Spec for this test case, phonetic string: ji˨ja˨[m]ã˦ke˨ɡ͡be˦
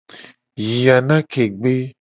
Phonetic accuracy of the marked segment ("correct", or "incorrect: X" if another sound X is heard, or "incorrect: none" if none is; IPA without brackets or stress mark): incorrect: n